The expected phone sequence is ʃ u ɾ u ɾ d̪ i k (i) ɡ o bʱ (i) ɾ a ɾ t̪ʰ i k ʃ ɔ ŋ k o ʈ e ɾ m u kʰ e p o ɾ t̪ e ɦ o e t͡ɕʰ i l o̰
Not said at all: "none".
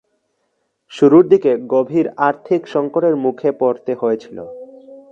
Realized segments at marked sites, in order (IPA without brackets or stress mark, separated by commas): e, i